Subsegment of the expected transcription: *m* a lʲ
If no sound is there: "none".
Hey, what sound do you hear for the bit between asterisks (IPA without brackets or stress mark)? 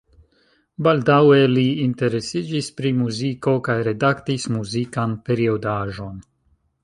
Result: b